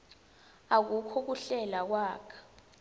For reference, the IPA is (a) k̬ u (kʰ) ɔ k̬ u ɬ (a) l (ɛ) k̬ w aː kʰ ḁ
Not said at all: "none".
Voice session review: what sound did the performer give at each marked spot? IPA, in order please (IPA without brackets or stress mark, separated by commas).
a, kʰ, ɛ, a